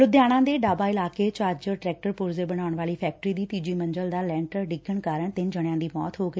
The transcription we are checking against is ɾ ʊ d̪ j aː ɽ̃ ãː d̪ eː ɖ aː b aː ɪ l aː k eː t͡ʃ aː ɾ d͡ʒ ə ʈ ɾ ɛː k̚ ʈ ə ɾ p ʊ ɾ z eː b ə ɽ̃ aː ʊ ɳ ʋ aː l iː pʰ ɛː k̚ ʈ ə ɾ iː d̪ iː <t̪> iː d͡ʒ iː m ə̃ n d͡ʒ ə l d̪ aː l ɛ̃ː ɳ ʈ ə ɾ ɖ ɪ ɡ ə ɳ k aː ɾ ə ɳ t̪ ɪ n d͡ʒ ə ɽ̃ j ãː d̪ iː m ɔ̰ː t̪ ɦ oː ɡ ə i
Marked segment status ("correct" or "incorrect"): correct